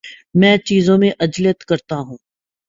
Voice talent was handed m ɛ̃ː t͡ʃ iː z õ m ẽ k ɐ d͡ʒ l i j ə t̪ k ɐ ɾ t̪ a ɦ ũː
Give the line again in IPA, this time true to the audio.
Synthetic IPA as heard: m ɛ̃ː t͡ʃ iː z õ m ẽ ʔ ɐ d͡ʒ l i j ə t̪ k ɐ ɾ t̪ a ɦ ũː